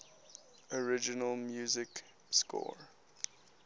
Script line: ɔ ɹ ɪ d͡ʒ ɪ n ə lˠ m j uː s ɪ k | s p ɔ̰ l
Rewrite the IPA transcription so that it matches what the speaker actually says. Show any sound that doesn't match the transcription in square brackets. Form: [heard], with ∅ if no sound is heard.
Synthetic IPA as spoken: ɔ ɹ ɪ d͡ʒ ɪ n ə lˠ m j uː [z] ɪ k | s [k] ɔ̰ [ɹ]